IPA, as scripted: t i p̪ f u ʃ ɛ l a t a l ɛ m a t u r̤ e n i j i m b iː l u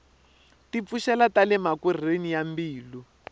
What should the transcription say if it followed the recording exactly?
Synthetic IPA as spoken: t i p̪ f u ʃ ɛ l a t a l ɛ m a k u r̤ e n i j a m b iː l u